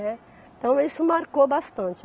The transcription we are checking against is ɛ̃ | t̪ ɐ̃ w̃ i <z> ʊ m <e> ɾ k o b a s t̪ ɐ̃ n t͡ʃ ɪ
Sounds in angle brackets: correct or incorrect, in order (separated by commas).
incorrect, incorrect